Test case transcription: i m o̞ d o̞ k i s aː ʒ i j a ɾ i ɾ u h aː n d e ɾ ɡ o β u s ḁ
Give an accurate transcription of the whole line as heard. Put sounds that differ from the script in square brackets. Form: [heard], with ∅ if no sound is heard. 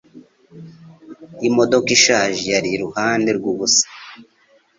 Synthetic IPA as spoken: i m o̞ d o̞ k i [ʃ] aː ʒ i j a ɾ i ɾ u h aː n d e ɾ ɡ [u] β u s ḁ